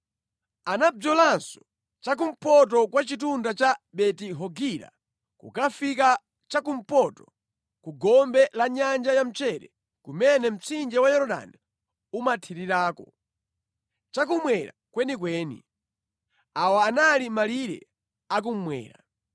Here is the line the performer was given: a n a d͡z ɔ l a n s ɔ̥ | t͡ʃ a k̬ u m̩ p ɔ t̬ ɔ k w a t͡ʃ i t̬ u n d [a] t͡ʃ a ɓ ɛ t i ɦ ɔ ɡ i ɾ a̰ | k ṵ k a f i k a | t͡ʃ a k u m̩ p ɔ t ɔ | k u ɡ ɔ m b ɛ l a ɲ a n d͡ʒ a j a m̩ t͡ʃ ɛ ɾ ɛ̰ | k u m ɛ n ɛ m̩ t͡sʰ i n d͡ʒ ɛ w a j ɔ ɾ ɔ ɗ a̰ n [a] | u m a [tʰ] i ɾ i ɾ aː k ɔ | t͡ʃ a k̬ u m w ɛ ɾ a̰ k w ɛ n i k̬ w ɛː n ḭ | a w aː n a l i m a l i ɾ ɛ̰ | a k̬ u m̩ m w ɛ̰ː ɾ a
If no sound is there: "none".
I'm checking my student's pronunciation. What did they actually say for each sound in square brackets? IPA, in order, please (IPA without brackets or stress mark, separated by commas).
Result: a, i, tʰ